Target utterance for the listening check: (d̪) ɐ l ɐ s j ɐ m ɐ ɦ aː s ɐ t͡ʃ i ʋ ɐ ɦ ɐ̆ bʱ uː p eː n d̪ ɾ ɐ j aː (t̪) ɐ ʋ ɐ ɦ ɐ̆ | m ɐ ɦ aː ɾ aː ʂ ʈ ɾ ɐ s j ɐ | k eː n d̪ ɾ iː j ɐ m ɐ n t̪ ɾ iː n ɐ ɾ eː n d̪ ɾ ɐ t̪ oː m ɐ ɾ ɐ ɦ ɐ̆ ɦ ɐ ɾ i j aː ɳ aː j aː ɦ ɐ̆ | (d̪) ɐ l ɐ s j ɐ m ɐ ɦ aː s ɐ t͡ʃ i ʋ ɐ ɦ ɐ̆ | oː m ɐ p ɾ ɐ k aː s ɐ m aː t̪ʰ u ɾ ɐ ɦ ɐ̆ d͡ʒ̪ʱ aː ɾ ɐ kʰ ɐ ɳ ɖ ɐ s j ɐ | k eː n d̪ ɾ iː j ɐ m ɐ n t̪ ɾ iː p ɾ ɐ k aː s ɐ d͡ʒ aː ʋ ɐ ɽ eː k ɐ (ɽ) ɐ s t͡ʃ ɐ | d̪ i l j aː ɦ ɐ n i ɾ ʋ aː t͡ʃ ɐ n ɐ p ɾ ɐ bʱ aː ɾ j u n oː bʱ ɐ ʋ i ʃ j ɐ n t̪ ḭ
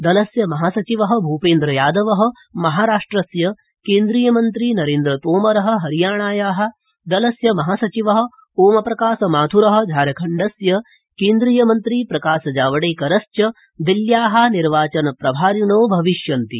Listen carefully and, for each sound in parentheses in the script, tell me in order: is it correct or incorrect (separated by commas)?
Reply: correct, incorrect, correct, incorrect